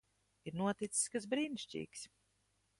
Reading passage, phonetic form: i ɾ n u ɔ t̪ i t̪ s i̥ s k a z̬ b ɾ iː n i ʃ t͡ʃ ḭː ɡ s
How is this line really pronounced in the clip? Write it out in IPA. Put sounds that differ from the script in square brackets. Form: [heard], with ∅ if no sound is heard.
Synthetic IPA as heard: i ɾ n u ɔ t̪ i t̪ s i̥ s k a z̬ b ɾ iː n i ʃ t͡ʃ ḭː [k] s